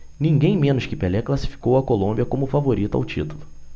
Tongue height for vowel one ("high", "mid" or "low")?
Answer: high